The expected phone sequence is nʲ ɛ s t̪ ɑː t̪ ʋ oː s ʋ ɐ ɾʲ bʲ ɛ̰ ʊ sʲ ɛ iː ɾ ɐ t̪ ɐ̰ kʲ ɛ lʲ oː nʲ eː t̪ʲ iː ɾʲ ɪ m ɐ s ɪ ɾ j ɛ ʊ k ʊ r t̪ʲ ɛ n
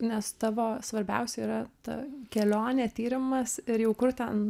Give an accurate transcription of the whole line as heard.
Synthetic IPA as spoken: nʲ ɛ s t̪ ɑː ʋ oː s ʋ ɐ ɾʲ bʲ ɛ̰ ʊ sʲ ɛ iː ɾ ɐ t̪ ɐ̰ kʲ ɛ lʲ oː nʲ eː t̪ʲ iː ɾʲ ɪ m ɐ s ɪ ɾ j ɛ ʊ k ʊ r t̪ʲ ɛ n